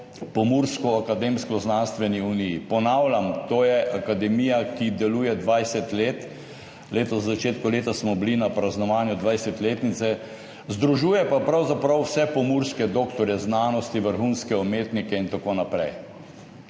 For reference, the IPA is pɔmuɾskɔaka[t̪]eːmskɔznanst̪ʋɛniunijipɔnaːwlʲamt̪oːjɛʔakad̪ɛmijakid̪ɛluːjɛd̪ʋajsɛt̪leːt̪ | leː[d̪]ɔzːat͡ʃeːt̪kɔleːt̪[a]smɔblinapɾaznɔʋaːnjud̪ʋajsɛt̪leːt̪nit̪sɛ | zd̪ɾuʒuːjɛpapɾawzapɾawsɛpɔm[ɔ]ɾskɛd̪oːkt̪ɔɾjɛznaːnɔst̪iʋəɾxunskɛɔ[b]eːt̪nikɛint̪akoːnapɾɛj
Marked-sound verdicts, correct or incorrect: incorrect, incorrect, correct, incorrect, incorrect

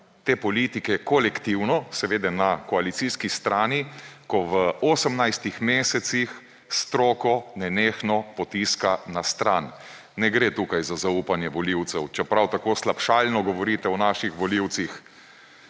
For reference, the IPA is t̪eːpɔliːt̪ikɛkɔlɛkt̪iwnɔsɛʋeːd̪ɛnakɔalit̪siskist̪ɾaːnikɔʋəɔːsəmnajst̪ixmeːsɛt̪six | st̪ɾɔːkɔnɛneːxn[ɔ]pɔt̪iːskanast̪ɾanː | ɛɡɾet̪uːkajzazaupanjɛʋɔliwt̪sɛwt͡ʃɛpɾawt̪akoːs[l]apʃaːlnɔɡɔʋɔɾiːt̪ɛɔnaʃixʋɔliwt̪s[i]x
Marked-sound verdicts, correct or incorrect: correct, correct, correct

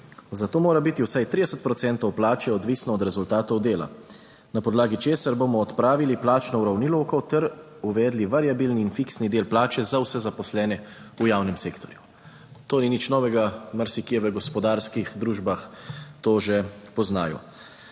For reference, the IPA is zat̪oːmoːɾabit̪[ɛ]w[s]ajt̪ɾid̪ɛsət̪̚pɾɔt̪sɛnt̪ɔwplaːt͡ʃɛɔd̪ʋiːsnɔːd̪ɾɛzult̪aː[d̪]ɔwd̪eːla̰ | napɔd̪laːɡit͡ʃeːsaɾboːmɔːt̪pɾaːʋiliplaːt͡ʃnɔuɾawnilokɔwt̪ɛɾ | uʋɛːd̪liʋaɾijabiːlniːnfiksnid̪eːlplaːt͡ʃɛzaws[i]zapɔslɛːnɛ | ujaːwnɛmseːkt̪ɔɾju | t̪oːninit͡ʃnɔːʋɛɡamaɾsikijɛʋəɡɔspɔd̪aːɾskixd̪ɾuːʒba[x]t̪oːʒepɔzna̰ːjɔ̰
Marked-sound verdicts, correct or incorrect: incorrect, correct, incorrect, incorrect, correct

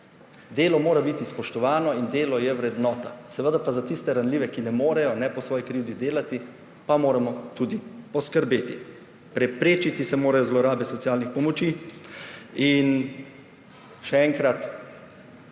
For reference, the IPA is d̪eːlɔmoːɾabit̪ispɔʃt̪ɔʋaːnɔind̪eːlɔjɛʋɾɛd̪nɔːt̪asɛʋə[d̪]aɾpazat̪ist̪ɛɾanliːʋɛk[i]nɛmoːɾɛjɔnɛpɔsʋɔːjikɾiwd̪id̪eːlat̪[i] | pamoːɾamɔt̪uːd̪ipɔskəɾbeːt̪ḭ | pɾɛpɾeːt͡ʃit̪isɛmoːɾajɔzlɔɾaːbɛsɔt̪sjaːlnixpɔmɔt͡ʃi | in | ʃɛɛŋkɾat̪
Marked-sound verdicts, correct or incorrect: correct, correct, correct

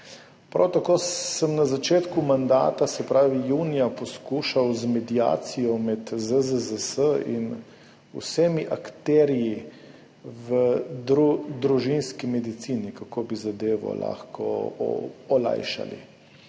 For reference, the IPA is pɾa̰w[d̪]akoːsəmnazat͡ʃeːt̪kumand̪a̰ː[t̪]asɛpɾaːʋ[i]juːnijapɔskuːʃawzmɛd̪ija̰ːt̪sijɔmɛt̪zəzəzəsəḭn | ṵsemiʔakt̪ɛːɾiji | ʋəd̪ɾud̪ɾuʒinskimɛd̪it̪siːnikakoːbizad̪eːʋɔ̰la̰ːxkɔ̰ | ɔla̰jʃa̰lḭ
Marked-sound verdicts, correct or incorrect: incorrect, correct, correct

